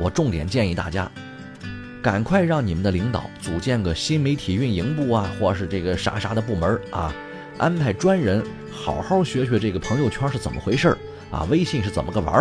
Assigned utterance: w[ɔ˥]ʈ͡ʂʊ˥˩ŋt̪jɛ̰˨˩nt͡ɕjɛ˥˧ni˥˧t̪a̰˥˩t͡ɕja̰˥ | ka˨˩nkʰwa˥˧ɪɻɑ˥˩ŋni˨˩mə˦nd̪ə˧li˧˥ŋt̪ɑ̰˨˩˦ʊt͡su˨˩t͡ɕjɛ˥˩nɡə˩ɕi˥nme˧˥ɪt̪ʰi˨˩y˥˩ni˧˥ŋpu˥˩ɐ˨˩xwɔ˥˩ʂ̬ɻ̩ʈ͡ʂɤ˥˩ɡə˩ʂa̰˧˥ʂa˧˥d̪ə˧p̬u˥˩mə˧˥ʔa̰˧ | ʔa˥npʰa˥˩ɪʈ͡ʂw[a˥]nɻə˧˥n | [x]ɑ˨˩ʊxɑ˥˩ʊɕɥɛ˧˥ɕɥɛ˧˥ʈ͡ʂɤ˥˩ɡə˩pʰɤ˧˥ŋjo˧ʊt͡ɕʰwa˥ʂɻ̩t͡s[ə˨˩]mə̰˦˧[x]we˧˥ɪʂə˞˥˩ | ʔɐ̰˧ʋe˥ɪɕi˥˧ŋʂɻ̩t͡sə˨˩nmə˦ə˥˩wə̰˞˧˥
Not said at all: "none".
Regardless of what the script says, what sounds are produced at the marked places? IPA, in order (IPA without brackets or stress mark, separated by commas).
ɔ˨˩, a˥, x, ə˨˩, x